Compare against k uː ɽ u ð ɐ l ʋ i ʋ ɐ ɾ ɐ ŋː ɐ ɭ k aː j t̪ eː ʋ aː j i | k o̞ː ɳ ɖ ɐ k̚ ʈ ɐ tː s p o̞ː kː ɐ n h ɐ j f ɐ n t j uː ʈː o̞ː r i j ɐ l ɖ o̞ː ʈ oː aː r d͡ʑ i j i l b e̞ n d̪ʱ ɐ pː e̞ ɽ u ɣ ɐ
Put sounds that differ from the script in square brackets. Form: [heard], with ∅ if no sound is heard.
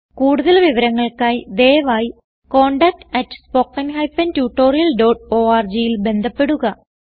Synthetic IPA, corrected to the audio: k uː ɽ u ð ɐ l ʋ i ʋ ɐ ɾ ɐ ŋː ɐ ɭ k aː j [d̪] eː ʋ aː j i | k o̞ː ɳ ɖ ɐ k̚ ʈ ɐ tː s p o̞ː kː ɐ n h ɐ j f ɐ n t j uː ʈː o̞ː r i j ɐ l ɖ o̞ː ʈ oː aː r d͡ʑ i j i l b e̞ n d̪ʱ ɐ pː e̞ ɽ u ɣ ɐ